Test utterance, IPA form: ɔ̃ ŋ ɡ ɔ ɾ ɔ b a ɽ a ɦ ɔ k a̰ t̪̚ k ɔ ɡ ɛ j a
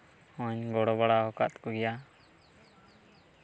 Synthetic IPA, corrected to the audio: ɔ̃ ɲ ɡ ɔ ɽ ɔ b a ɽ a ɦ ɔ k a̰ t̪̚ k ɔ ɡ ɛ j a